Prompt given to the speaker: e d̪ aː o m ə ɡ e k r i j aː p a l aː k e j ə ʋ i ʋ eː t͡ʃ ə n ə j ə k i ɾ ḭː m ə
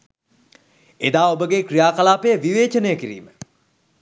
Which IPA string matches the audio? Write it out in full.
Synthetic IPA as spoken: e d̪ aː o b ə ɡ e k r i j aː k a l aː p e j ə ʋ i ʋ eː t͡ʃ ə n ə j ə k i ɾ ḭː m ə